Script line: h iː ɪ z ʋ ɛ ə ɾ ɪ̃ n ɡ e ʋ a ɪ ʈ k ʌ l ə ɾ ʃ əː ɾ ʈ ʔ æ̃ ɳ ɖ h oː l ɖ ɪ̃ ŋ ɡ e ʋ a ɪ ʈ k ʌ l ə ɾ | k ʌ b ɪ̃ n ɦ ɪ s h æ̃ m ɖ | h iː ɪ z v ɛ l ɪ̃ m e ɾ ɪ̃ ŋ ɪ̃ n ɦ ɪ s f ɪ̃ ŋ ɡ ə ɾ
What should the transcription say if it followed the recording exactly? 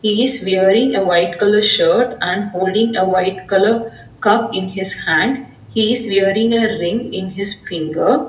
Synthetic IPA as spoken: h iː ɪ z ʋ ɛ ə ɾ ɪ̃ ŋ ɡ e ʋ a ɪ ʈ k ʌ l ə ɾ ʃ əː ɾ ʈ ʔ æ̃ ɳ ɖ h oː l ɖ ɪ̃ ŋ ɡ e ʋ a ɪ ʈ k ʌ l ə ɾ | k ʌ p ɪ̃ n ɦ ɪ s h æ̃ ɳ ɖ | h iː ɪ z ʋ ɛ ɾ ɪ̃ ŋ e ɾ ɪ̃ ŋ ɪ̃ n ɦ ɪ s f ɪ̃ ŋ ɡ ə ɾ